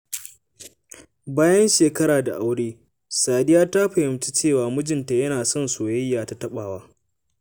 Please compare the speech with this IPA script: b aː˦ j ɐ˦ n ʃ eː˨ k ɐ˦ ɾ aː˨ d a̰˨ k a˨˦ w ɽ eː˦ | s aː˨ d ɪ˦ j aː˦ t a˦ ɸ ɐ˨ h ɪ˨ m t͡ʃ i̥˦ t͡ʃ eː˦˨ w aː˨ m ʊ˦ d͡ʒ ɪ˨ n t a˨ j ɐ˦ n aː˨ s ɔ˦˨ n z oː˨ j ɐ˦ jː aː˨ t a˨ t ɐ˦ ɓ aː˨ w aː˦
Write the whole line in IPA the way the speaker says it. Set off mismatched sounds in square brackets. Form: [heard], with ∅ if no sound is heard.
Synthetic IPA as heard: b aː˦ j ɐ˦ n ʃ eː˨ k ɐ˦ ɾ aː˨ d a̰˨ [ʔ] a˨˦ w ɽ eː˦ | s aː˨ d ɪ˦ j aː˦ t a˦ ɸ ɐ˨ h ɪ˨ m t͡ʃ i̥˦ t͡ʃ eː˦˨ w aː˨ m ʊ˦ d͡ʒ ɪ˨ n t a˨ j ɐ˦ n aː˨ s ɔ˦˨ n [s] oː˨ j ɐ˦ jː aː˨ t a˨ t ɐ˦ ɓ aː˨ w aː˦